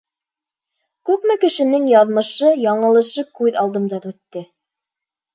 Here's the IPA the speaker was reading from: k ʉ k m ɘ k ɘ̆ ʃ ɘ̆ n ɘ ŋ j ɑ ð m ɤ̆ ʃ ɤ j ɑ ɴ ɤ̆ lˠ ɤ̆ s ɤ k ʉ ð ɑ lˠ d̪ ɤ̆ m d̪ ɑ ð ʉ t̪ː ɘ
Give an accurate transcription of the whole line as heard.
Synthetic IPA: k ʉ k m ɘ k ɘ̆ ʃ ɘ̆ n ɘ ŋ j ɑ ð m ɤ̆ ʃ ɤ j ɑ ɴ ɤ̆ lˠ ɤ̆ ʃ ɤ k ʉ ð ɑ lˠ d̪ ɤ̆ m d̪ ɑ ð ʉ t̪ː ɘ